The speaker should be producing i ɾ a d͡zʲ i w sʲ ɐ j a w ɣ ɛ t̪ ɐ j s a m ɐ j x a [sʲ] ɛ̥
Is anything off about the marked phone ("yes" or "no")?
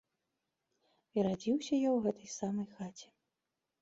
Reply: yes